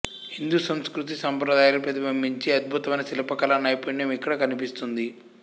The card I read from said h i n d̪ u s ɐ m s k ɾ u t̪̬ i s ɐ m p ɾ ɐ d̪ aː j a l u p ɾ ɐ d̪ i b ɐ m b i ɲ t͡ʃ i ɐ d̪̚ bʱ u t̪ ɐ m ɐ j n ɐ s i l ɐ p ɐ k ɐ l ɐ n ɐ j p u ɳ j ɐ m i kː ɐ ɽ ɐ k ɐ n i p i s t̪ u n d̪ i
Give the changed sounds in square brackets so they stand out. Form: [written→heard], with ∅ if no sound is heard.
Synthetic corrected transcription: h i n d̪ u s ɐ m s k ɾ u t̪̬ i s ɐ m p ɾ ɐ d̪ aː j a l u p ɾ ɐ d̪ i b ɐ m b i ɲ t͡ʃ i ɐ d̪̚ bʱ u t̪ ɐ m ɐ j n ɐ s i l ɐ p ɐ k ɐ l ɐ n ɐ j p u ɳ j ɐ m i kː ɐ ɽ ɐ k ɐ n i p i s t̪ u n d̪ i

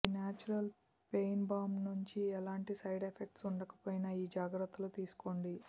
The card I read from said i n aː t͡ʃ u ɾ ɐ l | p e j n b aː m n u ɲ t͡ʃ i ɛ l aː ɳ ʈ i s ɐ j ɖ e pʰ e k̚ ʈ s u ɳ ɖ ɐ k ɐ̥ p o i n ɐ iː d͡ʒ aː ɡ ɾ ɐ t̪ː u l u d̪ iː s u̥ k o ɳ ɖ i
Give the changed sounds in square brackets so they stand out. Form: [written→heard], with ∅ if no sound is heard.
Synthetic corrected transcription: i n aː t͡ʃ u ɾ ɐ l | p e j n b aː m n u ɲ t͡ʃ i ɛ l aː ɳ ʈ i s ɐ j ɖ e pʰ e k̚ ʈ s u ɳ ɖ ɐ k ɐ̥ p o [i→j] n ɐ iː d͡ʒ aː ɡ ɾ ɐ t̪ː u l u [d̪→t̪] iː s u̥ k o ɳ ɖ i

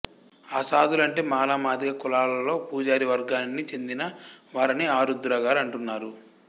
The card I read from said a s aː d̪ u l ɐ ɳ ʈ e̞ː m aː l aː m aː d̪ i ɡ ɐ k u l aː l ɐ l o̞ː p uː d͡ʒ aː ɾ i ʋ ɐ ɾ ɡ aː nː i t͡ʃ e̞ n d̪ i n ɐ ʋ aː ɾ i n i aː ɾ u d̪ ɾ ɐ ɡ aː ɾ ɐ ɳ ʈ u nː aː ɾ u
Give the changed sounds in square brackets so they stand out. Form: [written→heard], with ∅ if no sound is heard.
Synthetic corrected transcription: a s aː d̪ u l ɐ ɳ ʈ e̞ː m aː l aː m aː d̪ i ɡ ɐ k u l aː l ɐ l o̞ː p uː d͡ʒ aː ɾ i ʋ ɐ ɾ ɡ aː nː i t͡ʃ e̞ n d̪ i n ɐ ʋ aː ɾ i n i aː ɾ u d̪ ɾ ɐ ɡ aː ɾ ɐ ɳ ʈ u nː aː ɾ u

